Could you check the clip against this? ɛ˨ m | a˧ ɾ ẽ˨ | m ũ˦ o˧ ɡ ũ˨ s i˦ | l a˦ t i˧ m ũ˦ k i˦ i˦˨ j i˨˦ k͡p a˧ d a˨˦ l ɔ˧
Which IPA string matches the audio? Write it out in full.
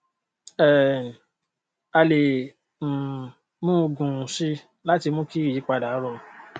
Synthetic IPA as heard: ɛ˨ | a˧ l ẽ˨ | m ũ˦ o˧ ɡ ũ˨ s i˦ | l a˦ t i˧ m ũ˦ k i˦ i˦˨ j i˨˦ k͡p a˧ d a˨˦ ɾ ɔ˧